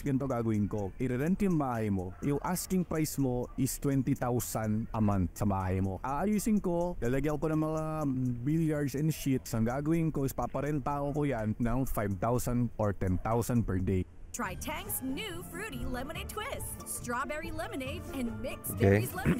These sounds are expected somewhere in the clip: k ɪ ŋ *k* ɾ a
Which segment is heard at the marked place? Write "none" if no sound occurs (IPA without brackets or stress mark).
p